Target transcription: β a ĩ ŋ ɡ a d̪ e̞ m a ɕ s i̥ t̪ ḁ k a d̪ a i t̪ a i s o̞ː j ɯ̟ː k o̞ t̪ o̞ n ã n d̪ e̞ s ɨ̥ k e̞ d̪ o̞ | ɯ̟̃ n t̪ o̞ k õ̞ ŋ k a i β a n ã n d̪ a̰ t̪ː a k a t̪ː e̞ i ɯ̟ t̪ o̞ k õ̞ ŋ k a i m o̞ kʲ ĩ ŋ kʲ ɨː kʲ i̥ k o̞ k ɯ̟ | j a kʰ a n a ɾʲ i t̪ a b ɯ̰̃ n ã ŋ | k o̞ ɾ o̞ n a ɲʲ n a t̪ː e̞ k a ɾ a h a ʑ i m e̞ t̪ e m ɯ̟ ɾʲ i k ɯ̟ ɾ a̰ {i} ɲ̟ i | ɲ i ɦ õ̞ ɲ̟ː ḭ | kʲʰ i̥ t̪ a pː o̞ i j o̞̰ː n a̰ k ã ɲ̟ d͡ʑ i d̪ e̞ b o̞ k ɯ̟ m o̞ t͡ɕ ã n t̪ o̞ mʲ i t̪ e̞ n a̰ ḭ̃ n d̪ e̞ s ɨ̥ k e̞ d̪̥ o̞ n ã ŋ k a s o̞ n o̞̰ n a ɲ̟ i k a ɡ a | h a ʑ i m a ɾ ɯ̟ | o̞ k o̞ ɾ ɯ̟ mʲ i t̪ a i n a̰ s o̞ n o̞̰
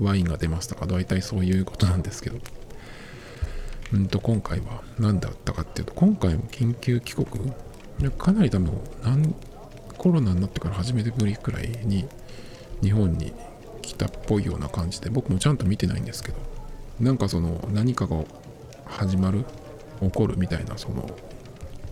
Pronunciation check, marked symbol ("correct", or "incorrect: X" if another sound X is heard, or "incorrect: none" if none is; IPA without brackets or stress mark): correct